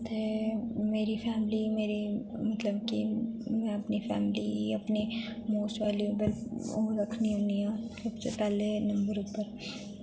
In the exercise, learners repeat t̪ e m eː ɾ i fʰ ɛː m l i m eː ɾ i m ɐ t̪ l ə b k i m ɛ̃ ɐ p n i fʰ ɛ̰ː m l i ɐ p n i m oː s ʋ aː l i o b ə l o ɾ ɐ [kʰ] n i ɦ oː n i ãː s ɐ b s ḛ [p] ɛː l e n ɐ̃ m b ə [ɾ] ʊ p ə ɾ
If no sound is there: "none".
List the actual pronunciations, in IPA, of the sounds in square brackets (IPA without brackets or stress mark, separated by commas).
kʰ, p, ɾ